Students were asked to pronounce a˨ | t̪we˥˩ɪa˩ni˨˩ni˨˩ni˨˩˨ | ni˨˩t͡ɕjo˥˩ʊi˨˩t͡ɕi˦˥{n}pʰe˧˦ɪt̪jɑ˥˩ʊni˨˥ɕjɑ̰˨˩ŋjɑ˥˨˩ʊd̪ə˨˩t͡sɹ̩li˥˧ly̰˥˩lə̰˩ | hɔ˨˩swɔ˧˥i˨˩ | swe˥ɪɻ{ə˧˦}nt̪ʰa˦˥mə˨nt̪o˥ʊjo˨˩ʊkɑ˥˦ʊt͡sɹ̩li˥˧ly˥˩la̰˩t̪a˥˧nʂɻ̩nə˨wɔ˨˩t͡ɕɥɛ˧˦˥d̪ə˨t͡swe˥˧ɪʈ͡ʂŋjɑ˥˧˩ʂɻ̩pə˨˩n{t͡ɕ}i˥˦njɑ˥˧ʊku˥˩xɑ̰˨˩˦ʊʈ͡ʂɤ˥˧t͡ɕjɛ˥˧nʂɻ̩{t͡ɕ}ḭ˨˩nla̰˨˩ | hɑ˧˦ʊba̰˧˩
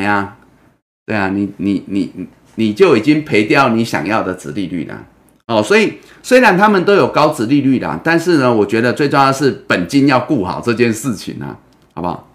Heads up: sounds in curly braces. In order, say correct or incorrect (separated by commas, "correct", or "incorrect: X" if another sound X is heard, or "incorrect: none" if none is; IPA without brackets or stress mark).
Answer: incorrect: ŋ, incorrect: a˧˦, correct, incorrect: t͡ɕʰ